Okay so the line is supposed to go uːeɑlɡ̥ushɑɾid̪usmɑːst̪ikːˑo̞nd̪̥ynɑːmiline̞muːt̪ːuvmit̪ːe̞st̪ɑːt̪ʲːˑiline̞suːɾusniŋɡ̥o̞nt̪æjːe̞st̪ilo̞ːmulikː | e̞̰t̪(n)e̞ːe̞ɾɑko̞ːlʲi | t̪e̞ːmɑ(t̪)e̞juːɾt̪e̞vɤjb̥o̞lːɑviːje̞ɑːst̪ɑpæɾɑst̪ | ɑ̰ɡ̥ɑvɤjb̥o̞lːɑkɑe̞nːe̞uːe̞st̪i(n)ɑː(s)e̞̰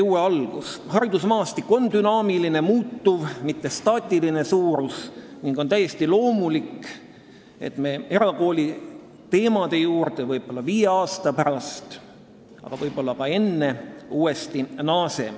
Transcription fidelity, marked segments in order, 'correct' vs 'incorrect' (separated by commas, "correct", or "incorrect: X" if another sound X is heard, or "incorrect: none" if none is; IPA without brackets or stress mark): incorrect: m, incorrect: d̪, correct, correct